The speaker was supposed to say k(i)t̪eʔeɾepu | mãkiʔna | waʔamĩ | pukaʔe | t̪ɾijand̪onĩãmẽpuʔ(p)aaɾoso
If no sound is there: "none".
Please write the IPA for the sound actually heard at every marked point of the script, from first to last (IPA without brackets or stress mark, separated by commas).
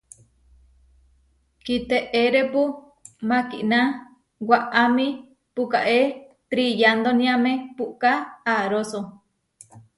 i, k